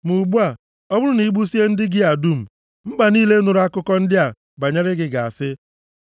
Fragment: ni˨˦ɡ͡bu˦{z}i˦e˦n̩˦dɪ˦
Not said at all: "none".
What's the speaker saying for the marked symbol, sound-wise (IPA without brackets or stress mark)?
s